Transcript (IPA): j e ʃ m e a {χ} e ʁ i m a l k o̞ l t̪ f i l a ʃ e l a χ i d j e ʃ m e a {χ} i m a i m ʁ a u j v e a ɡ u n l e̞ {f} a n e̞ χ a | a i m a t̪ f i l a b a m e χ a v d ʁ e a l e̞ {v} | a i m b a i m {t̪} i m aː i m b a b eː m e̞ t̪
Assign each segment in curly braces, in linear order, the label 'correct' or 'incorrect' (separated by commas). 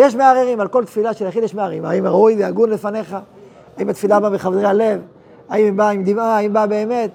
incorrect, incorrect, correct, correct, incorrect